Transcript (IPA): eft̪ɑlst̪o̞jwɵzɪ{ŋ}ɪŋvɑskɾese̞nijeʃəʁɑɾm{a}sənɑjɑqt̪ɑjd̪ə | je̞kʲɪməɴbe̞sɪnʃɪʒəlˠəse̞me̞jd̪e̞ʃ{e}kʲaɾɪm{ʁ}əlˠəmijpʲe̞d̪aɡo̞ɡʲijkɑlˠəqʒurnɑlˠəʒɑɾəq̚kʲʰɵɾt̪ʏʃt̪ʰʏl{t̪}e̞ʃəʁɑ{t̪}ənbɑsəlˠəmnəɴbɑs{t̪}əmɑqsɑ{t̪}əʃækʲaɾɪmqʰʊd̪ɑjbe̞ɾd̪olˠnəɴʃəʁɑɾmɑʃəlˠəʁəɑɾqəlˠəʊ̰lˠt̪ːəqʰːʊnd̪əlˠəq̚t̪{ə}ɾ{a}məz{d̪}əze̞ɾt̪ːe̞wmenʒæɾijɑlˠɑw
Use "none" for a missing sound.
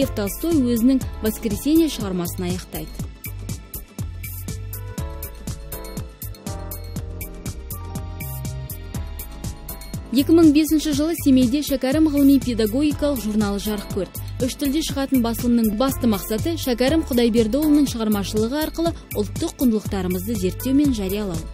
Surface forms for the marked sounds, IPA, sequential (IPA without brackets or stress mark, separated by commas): n, ɑ, æ, ʁ, d̪, t̪, t̪, t̪, ɑ, ə, d̪